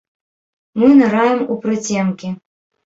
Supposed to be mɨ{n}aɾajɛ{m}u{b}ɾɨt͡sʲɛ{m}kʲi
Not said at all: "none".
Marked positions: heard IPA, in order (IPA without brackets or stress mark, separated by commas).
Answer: n, m, p, m